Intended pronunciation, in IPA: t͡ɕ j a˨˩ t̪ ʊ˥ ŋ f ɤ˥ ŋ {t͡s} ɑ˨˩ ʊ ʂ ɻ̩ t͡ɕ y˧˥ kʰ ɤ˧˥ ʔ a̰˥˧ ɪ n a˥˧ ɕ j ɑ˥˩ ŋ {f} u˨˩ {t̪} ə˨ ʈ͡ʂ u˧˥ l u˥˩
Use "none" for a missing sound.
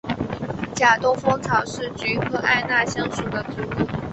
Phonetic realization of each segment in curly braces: t͡sʰ, ʂ, d̪

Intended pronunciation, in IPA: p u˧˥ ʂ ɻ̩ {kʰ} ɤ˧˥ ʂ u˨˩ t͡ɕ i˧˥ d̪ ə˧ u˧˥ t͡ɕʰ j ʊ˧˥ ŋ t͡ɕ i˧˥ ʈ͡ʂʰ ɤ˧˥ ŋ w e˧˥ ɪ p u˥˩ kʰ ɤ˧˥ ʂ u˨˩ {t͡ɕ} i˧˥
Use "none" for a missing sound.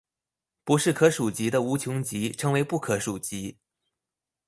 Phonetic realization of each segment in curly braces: kʰ, t͡ɕ

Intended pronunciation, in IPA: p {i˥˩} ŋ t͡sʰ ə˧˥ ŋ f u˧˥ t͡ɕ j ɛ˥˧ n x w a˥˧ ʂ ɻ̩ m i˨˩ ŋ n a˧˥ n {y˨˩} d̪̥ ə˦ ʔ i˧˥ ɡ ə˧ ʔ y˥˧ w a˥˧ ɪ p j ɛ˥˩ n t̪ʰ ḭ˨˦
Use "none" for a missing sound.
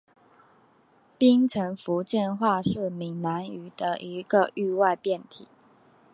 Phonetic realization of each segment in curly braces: i˥, y˨˩

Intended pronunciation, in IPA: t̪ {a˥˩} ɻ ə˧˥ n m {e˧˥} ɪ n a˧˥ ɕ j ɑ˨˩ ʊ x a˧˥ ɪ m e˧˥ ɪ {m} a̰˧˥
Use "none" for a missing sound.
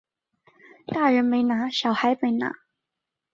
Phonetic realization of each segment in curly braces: a˥˩, e˧˥, n

